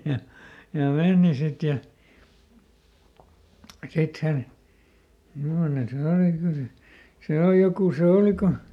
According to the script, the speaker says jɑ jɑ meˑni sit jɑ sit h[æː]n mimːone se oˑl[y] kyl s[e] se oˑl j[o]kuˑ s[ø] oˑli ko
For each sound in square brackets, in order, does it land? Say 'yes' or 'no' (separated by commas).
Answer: no, no, yes, yes, no